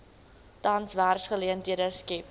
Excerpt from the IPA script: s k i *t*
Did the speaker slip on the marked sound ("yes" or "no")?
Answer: yes